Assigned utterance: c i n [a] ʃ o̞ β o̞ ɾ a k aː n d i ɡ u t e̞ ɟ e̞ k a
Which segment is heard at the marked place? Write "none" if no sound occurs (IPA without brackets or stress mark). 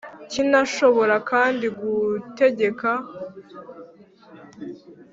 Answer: a